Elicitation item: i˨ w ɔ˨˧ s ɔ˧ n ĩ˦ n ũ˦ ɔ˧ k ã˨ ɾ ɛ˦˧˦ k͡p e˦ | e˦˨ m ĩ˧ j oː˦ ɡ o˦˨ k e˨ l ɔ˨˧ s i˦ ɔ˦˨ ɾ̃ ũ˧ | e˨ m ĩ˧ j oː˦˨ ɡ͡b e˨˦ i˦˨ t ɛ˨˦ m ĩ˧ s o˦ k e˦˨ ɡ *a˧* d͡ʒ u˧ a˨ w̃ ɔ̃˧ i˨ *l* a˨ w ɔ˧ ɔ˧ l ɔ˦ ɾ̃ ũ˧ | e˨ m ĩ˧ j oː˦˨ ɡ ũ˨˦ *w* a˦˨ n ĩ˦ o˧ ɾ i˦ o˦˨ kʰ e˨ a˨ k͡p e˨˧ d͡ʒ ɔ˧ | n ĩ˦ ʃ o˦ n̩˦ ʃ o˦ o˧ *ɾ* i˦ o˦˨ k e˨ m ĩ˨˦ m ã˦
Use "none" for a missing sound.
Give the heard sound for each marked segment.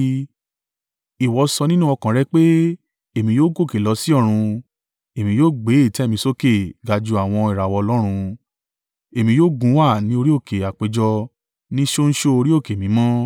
a˧, ɾ, w, ɾ

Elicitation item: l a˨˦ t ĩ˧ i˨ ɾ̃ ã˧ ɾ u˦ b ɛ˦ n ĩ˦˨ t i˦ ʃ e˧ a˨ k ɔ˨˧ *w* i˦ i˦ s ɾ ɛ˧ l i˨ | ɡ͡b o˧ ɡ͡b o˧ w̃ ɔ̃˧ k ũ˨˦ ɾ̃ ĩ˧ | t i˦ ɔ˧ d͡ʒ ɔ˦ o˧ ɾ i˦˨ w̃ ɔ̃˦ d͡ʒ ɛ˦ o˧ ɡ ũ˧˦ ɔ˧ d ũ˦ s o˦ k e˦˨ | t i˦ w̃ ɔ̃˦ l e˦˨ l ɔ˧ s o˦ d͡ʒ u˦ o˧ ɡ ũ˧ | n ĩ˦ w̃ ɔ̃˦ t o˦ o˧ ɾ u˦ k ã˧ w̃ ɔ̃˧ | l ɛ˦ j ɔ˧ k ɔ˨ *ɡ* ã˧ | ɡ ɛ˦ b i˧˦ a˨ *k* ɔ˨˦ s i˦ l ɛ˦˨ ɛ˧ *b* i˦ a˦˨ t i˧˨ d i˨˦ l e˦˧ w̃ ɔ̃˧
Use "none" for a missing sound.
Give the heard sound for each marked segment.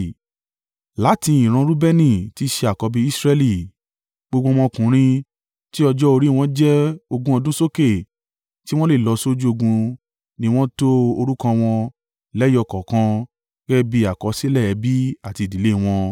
b, k, k, b

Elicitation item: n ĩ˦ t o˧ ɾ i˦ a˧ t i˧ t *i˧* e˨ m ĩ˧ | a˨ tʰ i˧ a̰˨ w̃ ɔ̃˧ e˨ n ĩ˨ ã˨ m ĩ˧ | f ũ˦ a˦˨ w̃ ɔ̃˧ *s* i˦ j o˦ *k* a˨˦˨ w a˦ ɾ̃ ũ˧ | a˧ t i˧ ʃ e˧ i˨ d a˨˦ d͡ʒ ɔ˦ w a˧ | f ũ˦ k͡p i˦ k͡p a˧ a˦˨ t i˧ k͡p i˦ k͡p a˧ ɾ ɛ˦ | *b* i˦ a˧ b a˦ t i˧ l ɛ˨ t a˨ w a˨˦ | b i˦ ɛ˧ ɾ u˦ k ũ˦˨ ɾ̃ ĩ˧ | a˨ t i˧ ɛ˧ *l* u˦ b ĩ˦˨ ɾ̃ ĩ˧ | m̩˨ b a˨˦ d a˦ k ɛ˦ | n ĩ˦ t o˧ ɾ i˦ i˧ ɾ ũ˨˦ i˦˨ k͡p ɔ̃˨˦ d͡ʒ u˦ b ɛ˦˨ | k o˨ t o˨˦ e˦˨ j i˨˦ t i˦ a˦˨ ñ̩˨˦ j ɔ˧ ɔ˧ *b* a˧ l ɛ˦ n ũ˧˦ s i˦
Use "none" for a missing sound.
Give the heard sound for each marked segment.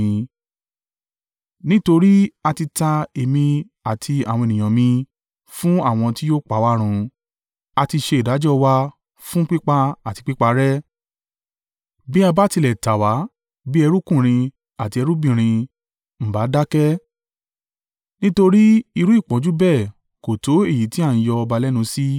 a˧, t, k͡p, b, ɾ, b

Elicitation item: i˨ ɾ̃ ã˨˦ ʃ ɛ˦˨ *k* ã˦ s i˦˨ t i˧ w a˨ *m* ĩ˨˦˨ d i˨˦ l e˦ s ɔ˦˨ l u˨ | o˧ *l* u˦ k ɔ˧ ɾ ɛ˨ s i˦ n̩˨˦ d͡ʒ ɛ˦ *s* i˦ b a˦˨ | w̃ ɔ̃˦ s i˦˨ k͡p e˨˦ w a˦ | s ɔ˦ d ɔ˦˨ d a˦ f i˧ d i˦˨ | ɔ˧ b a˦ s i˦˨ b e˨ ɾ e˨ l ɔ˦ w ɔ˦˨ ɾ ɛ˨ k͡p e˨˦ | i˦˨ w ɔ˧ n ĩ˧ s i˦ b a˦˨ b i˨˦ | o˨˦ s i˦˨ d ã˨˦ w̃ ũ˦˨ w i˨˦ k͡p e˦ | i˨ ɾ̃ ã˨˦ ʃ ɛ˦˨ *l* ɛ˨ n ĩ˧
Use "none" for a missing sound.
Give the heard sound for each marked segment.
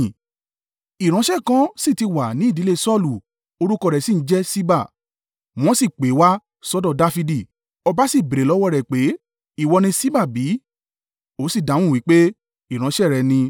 k, n, ɾ, s, ɾ

